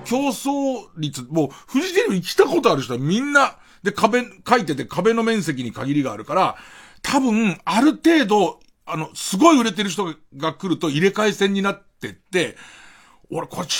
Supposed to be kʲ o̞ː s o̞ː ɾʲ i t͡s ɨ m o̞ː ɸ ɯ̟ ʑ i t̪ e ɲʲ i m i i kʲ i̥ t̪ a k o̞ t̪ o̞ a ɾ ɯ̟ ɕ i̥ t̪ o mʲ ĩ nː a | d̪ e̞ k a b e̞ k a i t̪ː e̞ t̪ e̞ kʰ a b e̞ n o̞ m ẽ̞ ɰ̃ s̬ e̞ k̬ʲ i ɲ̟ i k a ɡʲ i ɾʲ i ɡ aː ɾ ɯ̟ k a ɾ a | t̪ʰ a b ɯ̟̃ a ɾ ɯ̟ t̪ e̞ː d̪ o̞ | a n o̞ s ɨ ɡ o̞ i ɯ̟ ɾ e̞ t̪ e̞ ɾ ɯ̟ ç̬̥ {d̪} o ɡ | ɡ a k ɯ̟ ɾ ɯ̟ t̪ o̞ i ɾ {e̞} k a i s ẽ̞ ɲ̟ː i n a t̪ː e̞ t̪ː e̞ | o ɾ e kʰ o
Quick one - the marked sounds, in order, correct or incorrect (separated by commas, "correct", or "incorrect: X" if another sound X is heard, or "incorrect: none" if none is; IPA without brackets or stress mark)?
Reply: incorrect: t̪, correct